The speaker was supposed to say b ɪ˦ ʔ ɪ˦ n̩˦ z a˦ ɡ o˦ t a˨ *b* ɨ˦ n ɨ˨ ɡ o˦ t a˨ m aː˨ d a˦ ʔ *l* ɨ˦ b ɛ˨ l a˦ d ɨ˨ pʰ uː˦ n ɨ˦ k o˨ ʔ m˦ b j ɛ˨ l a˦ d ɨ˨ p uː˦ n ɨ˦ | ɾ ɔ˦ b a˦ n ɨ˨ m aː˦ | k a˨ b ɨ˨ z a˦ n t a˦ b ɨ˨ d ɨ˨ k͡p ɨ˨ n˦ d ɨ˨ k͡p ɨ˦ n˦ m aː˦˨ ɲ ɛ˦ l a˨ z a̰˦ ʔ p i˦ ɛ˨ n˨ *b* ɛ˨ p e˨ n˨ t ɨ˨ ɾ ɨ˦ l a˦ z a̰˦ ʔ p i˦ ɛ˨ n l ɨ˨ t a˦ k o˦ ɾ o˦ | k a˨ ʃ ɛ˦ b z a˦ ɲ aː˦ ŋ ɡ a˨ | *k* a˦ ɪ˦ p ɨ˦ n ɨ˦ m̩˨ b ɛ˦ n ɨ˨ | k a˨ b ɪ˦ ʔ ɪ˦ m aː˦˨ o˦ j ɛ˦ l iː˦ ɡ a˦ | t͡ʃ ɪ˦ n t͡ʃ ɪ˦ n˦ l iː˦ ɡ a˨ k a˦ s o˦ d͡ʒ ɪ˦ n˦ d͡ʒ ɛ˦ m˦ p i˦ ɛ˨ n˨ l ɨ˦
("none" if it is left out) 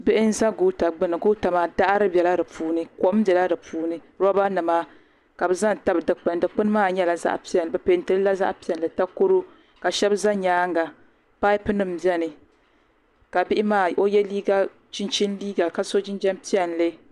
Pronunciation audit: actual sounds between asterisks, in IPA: ɡ͡b, ɾ, b, p

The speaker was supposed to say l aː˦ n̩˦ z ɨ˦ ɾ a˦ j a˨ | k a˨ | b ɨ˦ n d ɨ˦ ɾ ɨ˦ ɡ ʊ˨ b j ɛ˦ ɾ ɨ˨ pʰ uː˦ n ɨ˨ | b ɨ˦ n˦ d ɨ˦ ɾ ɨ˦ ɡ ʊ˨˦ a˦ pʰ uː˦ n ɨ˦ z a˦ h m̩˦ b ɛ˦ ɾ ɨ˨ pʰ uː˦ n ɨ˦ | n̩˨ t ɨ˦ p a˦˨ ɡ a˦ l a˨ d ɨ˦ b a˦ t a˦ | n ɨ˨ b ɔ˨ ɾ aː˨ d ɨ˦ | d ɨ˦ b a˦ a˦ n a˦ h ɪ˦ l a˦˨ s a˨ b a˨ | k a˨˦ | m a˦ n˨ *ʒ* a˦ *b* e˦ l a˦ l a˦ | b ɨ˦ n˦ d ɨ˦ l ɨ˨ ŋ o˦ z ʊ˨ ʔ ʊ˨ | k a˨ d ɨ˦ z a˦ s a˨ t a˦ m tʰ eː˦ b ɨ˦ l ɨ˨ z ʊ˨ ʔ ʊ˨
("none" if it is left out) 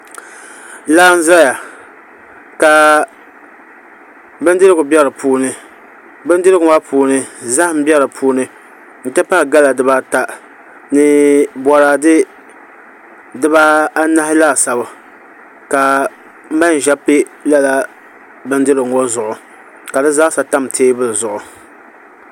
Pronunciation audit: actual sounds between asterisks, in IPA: ʒ, p

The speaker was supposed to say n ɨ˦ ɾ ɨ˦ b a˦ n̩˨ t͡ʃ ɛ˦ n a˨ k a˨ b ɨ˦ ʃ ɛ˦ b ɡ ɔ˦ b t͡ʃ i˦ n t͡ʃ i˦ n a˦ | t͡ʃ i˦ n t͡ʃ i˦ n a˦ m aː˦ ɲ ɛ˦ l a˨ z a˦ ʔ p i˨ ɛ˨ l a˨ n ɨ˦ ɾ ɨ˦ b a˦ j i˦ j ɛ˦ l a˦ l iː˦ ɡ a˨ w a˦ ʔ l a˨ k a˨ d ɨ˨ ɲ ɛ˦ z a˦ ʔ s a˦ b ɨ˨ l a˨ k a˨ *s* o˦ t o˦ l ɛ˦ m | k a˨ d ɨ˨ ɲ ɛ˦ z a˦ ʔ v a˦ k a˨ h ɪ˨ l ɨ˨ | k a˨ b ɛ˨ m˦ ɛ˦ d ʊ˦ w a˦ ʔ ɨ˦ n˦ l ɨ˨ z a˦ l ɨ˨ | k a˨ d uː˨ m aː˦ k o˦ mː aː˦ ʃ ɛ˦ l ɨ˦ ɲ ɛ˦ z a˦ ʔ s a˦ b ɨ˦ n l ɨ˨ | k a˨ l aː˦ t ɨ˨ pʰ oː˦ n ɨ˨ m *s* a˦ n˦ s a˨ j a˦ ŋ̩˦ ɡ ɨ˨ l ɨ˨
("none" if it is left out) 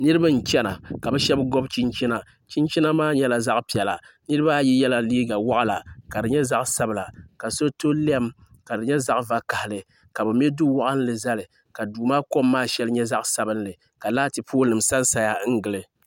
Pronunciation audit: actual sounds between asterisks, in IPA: s, s

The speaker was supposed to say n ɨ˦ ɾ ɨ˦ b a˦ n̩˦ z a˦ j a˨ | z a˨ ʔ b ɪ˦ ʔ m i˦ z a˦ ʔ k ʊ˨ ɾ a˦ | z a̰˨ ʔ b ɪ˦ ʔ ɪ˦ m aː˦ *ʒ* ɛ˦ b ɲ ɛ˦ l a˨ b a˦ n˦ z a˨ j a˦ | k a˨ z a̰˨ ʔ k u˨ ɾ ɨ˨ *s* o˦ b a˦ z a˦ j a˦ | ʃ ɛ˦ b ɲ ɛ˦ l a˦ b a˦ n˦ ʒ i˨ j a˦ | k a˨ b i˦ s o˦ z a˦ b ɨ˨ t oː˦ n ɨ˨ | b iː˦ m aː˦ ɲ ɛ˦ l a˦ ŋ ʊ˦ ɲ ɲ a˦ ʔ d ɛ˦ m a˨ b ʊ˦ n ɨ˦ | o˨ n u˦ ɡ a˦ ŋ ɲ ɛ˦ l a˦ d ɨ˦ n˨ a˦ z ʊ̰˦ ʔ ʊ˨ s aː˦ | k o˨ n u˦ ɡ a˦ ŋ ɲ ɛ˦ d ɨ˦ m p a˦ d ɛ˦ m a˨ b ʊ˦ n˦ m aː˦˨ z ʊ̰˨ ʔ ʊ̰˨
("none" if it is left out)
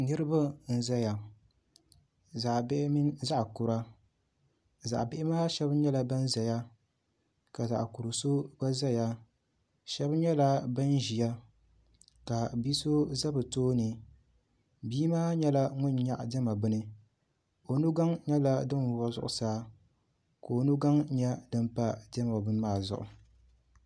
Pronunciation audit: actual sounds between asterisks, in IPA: ʃ, s

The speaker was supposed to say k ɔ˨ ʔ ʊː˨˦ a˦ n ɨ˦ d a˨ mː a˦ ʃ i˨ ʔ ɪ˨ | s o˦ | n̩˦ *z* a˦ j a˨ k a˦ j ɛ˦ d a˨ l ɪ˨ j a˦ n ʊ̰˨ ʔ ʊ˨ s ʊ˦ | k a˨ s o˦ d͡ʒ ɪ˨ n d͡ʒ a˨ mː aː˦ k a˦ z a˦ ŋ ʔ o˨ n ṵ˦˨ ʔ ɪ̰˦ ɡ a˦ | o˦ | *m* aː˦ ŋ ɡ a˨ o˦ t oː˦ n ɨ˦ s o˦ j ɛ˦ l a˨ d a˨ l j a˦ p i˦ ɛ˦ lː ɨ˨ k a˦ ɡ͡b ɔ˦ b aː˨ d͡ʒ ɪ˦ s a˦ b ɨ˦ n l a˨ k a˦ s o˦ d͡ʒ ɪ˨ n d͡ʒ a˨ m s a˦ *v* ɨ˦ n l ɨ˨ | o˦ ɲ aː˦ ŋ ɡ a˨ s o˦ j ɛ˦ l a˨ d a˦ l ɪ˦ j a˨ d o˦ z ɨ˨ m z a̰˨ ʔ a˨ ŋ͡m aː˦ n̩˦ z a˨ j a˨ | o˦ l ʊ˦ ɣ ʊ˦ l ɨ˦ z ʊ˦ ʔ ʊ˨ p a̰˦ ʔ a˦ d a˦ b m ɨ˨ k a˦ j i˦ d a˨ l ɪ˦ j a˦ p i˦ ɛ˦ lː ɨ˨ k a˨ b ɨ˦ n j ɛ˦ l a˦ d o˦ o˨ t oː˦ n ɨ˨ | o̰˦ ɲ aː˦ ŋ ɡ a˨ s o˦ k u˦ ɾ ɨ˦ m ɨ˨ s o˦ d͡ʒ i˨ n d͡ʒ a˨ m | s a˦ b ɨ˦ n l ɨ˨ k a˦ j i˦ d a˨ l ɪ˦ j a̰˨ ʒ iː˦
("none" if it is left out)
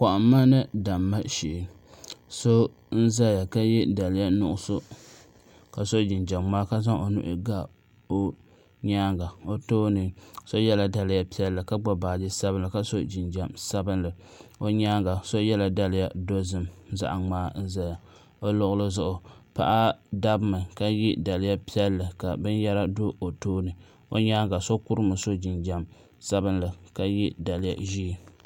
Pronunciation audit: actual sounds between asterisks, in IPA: z, ɲ, b

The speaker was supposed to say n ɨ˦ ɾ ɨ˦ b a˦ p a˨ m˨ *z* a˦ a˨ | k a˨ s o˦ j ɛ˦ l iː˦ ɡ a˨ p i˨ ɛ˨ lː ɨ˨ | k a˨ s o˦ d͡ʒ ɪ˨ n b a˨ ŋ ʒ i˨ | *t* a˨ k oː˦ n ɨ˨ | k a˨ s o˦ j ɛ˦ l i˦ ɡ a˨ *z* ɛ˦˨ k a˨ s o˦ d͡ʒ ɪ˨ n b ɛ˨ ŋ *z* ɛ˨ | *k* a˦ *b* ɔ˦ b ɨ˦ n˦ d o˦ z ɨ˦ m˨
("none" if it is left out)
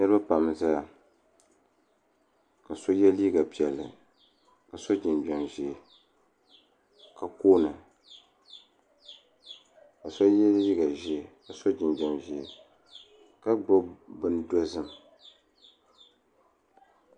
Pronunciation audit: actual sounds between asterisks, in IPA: z, k, ʒ, ʒ, k, ɡ͡b

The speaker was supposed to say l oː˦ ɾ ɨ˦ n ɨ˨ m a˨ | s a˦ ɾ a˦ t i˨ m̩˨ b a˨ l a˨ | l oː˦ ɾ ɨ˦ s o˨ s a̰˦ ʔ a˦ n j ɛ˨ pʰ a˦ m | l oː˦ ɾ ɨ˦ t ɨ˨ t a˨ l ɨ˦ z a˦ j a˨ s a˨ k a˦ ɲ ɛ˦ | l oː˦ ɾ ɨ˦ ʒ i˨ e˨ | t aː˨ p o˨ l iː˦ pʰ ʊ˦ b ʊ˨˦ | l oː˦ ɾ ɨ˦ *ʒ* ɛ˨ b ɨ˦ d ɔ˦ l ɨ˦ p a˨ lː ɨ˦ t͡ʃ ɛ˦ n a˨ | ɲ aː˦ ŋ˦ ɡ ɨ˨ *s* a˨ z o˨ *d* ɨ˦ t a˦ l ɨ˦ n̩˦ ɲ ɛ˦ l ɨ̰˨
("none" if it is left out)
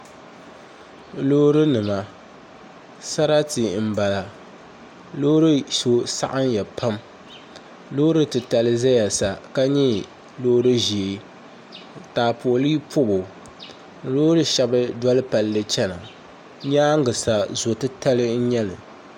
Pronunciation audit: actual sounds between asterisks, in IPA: ʃ, s, t

